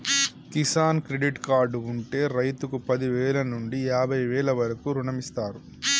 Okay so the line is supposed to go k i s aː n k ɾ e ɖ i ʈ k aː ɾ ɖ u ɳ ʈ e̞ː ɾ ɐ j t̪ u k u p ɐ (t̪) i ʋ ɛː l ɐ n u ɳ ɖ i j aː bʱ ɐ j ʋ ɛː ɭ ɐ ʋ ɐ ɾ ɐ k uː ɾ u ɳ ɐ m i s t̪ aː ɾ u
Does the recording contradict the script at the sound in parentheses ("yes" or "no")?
yes